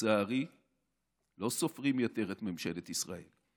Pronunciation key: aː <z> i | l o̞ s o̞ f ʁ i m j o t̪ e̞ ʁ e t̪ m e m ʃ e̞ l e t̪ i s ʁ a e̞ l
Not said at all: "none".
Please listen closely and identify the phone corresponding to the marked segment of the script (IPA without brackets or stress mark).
ʁ